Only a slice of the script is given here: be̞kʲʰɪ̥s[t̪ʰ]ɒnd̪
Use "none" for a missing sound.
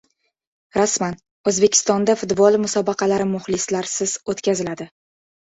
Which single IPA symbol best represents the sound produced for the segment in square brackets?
t̪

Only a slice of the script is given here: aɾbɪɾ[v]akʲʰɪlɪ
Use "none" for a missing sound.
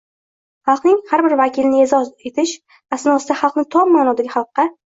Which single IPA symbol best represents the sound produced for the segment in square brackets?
v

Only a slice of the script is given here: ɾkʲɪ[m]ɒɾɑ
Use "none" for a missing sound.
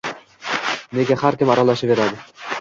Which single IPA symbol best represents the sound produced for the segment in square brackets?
m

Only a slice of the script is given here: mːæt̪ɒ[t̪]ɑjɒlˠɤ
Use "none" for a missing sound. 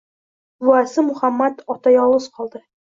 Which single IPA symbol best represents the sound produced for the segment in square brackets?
t̪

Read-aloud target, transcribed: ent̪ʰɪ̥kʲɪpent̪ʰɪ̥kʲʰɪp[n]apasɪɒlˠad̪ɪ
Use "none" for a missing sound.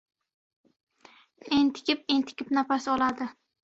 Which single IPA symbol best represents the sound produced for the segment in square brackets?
n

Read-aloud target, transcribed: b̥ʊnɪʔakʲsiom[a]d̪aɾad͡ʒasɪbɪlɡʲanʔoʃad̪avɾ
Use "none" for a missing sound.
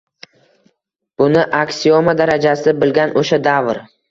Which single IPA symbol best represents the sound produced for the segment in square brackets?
a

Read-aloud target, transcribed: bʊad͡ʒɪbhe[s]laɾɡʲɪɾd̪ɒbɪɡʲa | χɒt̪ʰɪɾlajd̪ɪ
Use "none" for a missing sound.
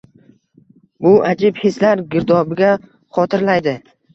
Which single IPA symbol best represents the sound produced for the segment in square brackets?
s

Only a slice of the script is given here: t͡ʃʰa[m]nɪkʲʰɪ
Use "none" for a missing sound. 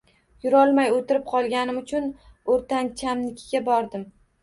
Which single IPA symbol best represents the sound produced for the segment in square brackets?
m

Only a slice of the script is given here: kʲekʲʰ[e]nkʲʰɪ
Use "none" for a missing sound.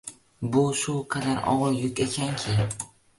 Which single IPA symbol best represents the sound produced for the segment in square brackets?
a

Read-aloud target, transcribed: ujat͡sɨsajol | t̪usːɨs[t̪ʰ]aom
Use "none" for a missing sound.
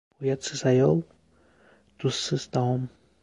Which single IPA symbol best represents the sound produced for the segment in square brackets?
t̪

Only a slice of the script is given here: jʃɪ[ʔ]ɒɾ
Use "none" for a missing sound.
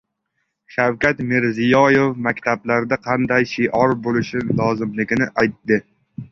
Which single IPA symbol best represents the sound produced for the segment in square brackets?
ʔ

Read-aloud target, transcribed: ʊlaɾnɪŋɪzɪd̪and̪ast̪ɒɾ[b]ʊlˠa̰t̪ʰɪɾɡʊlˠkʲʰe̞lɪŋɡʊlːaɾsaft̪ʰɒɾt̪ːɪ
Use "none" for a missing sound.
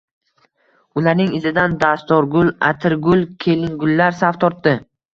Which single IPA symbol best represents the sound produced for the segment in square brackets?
ɡ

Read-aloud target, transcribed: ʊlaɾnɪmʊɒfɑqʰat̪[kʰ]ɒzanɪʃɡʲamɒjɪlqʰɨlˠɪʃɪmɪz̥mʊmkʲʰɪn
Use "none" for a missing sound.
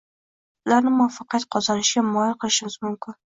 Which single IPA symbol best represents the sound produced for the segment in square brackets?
qʰ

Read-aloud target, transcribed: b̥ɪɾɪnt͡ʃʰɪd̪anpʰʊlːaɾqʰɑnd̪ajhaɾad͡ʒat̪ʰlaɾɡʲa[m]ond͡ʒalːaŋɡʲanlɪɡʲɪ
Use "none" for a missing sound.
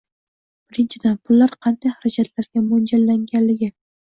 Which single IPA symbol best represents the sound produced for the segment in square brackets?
m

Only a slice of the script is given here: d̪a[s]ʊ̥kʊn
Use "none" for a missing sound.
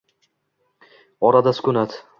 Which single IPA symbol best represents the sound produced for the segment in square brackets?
s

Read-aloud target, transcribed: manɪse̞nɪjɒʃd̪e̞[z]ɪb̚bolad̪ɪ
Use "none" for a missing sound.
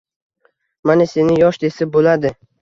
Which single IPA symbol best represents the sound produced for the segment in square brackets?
s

